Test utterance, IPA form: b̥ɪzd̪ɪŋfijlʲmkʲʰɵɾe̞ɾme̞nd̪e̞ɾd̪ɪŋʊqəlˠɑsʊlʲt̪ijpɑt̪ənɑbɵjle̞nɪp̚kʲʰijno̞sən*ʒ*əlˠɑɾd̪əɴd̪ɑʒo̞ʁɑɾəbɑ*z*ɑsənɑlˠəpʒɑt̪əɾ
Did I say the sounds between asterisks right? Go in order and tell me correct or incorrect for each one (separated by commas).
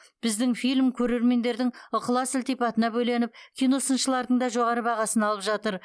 incorrect, incorrect